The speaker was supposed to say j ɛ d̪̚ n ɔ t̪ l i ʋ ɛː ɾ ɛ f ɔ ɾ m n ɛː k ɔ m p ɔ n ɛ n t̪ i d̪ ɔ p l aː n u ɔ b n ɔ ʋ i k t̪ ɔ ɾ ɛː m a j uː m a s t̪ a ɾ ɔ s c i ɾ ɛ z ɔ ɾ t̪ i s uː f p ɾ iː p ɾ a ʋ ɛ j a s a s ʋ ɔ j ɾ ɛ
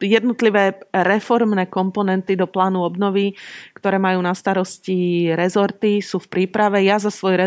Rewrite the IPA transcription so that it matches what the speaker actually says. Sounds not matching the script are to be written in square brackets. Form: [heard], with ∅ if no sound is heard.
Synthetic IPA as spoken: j ɛ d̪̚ n ɔ t̪ l i ʋ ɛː ɾ ɛ f ɔ ɾ m n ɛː k ɔ m p ɔ n ɛ n t̪ i d̪ ɔ p l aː n u ɔ b n ɔ ʋ i k t̪ ɔ ɾ ɛː m a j uː [n] a s t̪ a ɾ ɔ s c i ɾ ɛ z ɔ ɾ t̪ i s uː f p ɾ iː p ɾ a ʋ ɛ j a [z] a s ʋ ɔ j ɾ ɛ